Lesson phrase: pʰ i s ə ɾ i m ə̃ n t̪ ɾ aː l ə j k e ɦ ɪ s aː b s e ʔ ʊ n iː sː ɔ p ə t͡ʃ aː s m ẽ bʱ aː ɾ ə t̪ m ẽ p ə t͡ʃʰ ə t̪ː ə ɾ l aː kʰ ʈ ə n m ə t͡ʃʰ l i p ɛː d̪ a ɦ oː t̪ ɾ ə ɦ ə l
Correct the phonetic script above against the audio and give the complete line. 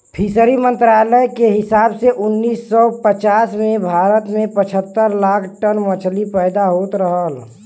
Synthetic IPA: pʰ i s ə ɾ i m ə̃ n t̪ ɾ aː l ə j k e ɦ ɪ s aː b s e ʔ ʊ nː iː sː ɔ p ə t͡ʃ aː s m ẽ bʱ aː ɾ ə t̪ m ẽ p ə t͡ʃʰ ə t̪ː ə ɾ l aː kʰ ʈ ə n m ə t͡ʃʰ l i p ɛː d̪ a ɦ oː t̪ ɾ ə ɦ ə l